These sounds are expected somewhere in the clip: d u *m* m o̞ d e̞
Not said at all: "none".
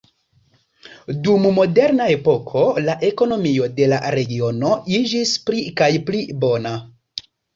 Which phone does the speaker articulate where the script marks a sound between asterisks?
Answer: m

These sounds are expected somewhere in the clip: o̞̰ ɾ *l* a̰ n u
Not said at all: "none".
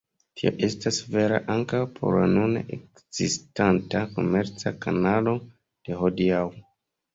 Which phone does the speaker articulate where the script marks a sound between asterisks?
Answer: l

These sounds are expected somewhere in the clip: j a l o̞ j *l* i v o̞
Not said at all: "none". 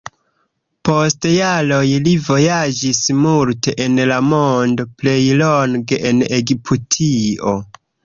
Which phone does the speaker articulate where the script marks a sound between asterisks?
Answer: l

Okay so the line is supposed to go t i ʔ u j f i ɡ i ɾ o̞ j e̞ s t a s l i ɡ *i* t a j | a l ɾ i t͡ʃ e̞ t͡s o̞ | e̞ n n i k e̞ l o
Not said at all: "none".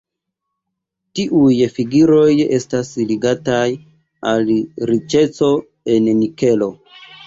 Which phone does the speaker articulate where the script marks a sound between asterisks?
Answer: a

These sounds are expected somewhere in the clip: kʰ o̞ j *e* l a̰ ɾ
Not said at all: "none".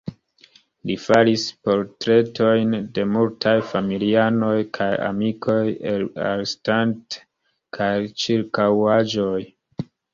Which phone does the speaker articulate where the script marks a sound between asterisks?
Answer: e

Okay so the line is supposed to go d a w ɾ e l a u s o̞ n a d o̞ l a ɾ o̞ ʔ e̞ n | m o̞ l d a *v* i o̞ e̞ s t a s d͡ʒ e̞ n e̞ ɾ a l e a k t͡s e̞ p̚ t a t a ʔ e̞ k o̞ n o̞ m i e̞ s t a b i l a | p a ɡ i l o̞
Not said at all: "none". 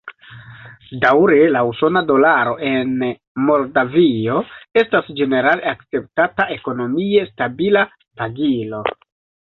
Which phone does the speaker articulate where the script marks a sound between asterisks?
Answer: v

